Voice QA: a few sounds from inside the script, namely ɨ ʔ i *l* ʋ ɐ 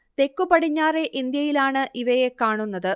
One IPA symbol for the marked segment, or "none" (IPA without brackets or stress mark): none